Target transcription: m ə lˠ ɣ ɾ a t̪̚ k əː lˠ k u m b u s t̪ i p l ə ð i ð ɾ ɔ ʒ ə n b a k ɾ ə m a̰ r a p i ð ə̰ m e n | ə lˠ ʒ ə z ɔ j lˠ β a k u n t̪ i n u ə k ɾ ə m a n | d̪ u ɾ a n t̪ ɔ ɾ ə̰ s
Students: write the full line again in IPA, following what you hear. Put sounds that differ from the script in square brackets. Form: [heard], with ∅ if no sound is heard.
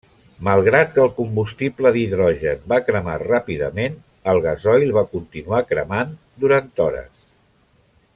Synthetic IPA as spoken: m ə lˠ ɣ ɾ a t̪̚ k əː lˠ k u m b u s t̪ i p l ə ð i ð ɾ ɔ ʒ ə n b a k ɾ ə m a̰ r a p i ð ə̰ m e n | ə lˠ [ɣ] ə z ɔ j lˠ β a k u n t̪ i n u [a] k ɾ ə m a n | d̪ u ɾ a n t̪ ɔ ɾ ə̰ s